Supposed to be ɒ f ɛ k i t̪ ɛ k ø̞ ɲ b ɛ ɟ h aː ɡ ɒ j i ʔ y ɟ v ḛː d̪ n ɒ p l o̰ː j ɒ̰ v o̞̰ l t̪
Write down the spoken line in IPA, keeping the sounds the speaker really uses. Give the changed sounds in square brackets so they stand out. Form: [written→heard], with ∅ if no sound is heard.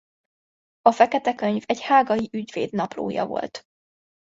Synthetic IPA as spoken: ɒ f ɛ k [i→ɛ] t̪ ɛ k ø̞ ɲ [b→v] ɛ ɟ h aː ɡ ɒ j i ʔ y ɟ v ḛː d̪ n ɒ p l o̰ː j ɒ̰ v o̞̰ l t̪